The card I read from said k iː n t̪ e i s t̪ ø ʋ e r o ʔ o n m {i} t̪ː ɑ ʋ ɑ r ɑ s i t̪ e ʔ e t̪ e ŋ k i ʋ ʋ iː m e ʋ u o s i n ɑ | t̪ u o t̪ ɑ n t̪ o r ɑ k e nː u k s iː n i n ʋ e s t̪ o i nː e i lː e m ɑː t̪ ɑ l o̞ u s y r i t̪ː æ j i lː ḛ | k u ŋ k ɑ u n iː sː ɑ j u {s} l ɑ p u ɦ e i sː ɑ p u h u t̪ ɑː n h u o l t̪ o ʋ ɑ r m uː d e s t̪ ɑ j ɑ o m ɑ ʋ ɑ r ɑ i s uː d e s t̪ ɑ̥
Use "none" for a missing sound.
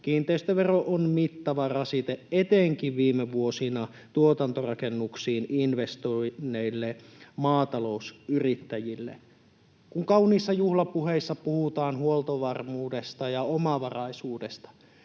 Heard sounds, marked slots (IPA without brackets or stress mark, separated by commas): i, h